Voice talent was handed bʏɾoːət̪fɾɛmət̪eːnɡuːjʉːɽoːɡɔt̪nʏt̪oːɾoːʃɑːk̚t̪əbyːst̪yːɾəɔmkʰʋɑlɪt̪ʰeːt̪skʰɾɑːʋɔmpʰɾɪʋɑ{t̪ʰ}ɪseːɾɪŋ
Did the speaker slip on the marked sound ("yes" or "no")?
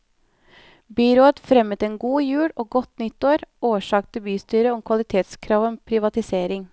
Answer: yes